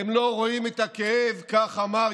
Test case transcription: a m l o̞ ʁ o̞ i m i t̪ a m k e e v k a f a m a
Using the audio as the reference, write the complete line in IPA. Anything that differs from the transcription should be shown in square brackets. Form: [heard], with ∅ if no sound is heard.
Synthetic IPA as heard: [e] m l o̞ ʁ o̞ i m [e] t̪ a [∅] k e e v k a [χ] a m a